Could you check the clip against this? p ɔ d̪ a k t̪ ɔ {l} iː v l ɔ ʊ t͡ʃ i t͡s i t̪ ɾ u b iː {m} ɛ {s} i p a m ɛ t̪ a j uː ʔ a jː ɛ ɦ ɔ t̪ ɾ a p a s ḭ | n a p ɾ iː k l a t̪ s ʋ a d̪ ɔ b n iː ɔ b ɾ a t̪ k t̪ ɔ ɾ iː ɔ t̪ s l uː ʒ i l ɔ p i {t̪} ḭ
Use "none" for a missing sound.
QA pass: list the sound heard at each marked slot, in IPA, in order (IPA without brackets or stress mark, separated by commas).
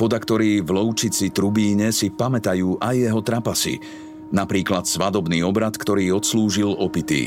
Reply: ɾ, ɲ, s, t̪